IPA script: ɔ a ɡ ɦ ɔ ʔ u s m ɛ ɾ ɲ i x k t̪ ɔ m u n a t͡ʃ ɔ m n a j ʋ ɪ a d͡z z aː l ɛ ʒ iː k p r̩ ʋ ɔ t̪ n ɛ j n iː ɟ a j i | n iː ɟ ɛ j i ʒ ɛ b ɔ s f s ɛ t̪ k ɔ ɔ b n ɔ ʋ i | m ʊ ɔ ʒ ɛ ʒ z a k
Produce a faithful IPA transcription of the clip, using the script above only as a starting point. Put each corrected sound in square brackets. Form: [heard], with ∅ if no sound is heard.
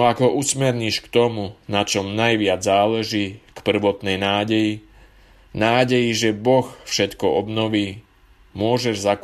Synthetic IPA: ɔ a ɡ ɦ ɔ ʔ u s m ɛ ɾ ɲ i [ʃ] k t̪ ɔ m u n a t͡ʃ ɔ m n a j ʋ ɪ a d͡z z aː l ɛ ʒ iː k p r̩ ʋ ɔ t̪ n ɛ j n [aː] ɟ [ɛ] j i | n [aː] ɟ ɛ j i ʒ ɛ b ɔ [x] f [ʃ] ɛ t̪ k ɔ ɔ b n ɔ ʋ [iː] | m ʊ ɔ ʒ ɛ ʒ z a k